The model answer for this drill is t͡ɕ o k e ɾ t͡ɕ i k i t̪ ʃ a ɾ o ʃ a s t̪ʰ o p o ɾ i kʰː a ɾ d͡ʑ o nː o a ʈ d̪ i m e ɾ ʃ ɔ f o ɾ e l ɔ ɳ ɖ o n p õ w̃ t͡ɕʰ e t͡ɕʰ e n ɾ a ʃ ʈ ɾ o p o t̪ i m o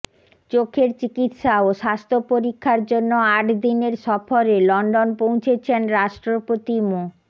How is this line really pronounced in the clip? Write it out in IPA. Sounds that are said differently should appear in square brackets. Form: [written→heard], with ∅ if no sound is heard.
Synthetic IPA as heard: t͡ɕ o [k→kʰ] e ɾ t͡ɕ i k i t̪ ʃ a [ɾ→∅] o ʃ a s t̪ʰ o p o ɾ i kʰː a ɾ d͡ʑ o nː o a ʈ d̪ i [m→n] e ɾ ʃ ɔ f o ɾ e l ɔ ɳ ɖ o n p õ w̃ t͡ɕʰ e t͡ɕʰ e n ɾ a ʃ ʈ ɾ o p o t̪ i m o